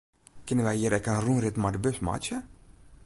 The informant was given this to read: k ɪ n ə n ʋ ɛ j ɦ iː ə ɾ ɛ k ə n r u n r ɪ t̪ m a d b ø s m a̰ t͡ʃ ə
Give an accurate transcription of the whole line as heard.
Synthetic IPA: k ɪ n ə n ʋ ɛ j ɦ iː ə ɾ ɛ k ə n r u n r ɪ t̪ m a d b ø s m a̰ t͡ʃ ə